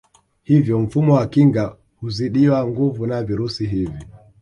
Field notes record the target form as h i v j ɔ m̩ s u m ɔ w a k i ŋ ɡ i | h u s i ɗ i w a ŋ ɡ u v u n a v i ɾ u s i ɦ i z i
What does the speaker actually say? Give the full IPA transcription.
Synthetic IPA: h i v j ɔ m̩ f u m ɔ w a k i ŋ ɡ a | h u z i ɗ i w a ŋ ɡ u v u n a v i ɾ u s i ɦ i v i

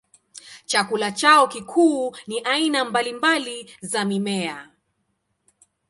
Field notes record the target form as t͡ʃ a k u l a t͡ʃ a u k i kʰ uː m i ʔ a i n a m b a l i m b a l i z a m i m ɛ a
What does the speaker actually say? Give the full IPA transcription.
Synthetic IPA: t͡ʃ a k u l a t͡ʃ a ɔ k i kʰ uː n i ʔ a i n a m b a l i m b a l i z a m i m ɛ a

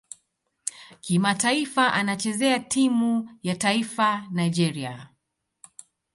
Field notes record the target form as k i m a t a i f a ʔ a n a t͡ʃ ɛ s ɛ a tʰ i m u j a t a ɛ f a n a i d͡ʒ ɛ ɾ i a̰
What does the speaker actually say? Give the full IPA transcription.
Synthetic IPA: k i m a t a i f a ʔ a n a t͡ʃ ɛ z ɛ a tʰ i m u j a t a i f a n a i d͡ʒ ɛ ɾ i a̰

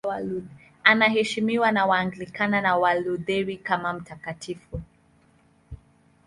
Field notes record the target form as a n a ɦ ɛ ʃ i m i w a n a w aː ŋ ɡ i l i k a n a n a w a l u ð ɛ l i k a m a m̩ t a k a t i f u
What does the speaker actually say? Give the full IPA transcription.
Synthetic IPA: a n a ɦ ɛ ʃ i m i w a n a w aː ŋ ɡ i l i k a n a n a w a l u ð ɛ ɾ i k a m a m̩ t a k a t i f u

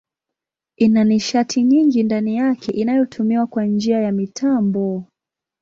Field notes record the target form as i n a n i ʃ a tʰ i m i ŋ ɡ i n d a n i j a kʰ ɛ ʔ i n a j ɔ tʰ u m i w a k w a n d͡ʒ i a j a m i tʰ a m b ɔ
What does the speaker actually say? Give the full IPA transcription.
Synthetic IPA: i n a n i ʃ a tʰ i ɲ i ŋ ɡ i n d a n i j a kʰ ɛ ʔ i n a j ɔ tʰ u m i w a k w a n d͡ʒ i a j a m i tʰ a m b ɔ

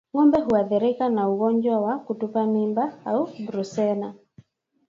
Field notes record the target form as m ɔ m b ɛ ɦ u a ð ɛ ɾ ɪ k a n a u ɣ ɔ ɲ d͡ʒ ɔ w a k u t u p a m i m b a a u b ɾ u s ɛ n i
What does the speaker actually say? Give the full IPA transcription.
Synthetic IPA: ŋ ɔ m b ɛ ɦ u a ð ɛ ɾ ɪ k a n a u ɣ ɔ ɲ d͡ʒ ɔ w a k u t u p a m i m b a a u b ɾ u s ɛ n a

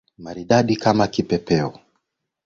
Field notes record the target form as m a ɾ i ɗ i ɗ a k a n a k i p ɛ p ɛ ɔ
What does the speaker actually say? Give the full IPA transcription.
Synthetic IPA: m a ɾ i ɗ a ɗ i k a m a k i p ɛ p ɛ ɔ

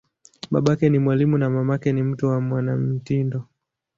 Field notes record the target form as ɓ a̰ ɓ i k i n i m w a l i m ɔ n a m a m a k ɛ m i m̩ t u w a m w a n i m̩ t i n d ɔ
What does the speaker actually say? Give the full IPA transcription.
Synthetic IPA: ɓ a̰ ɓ a k ɛ n i m w a l i m u n a m a m a k ɛ n i m̩ t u w a m w a n a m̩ t i n d ɔ

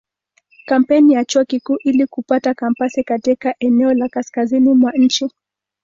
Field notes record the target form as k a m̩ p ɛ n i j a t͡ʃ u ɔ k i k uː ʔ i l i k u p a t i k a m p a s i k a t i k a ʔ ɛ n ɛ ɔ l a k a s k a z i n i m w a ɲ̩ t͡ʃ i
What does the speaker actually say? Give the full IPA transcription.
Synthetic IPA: k a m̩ p ɛ n i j a t͡ʃ u ɔ k i k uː ʔ i l i k u p a t a k a m p a s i k a t i k a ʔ ɛ n ɛ ɔ l a k a s k a z i n i m w a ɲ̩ t͡ʃ i

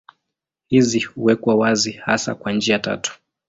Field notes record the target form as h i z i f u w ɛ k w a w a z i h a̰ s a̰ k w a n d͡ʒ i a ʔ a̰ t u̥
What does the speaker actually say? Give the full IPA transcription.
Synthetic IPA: h i z i h u w ɛ k w a w a z i h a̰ s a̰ k w a n d͡ʒ i a t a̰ t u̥

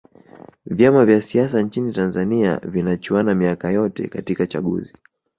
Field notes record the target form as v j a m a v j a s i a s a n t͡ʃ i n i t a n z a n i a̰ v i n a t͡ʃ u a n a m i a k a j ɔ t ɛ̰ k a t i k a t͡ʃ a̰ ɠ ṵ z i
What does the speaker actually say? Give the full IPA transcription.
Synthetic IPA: v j a m a v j a s i a s a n t͡ʃ i n i t a n z a n i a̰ v i n a t͡ʃ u a n a m i a k a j ɔ t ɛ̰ k a t i k a t͡ʃ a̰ ɠ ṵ z i

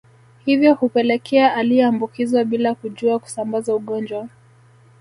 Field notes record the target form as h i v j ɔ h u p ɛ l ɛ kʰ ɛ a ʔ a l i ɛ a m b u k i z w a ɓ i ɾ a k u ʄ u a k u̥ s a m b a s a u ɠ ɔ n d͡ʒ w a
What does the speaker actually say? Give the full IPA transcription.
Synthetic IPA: h i v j ɔ h u p ɛ l ɛ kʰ ɛ a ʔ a l i ɛ a m b u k i z w a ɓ i l a k u ʄ u a k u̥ s a m b a z a u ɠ ɔ n d͡ʒ w a

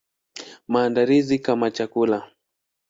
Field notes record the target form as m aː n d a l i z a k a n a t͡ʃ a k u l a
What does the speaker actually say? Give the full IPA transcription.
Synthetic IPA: m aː n d a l i z i k a m a t͡ʃ a k u l a

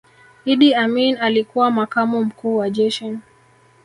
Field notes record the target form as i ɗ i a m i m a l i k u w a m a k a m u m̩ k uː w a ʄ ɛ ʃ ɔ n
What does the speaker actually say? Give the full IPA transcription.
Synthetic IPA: i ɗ i a m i n a l i k u w a m a k a m u m̩ k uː w a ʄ ɛ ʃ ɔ n

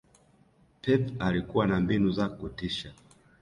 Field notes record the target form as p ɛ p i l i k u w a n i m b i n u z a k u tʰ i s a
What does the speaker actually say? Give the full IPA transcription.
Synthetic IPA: p ɛ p a l i k u w a n a m b i n u z a k u t i ʃ a

